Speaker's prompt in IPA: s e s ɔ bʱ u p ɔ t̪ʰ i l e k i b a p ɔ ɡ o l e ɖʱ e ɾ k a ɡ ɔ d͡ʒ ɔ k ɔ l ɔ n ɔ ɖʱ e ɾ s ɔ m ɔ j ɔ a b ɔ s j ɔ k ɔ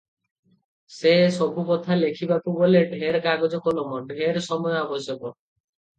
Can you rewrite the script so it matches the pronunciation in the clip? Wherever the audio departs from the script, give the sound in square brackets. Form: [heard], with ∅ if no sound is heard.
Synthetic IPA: s e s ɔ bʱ u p ɔ t̪ʰ [a] l e [kʰ] i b a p [u] ɡ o l e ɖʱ e ɾ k a ɡ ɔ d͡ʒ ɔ k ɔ l ɔ [m] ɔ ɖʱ e ɾ s ɔ m ɔ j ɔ a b ɔ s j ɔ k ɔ